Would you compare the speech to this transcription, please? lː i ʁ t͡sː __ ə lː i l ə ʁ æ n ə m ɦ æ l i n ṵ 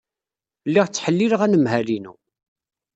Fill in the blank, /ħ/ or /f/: ħ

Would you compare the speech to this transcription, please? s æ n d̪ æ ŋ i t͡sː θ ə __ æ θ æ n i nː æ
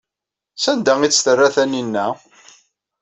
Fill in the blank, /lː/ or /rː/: rː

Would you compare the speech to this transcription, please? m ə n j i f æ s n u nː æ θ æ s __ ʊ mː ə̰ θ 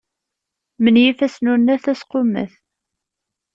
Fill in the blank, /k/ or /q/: q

